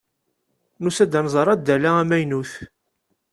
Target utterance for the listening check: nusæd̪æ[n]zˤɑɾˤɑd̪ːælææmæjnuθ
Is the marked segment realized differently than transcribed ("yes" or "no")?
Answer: no